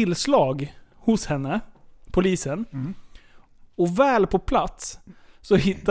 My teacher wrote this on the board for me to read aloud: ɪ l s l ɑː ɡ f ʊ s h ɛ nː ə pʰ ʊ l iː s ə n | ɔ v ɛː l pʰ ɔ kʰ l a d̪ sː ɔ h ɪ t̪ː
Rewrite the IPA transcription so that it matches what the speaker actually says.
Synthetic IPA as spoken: ɪ l s l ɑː ɡ h ʊ s h ɛ nː ə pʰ ʊ l iː s ə n | ɔ v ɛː l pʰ ɔ pʰ l a t̪ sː ɔ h ɪ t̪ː